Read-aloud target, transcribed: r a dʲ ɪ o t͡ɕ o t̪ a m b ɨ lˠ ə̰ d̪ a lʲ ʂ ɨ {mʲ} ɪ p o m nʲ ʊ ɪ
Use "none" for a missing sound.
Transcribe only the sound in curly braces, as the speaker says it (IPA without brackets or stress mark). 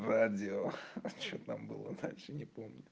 nʲ